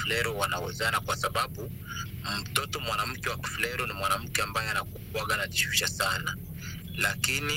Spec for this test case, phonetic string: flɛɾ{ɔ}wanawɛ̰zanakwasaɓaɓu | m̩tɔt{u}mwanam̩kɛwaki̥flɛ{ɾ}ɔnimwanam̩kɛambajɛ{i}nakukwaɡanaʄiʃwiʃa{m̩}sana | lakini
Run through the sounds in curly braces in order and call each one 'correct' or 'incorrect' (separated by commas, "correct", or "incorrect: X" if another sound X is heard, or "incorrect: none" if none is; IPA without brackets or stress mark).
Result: correct, incorrect: ɔ, correct, incorrect: a, incorrect: none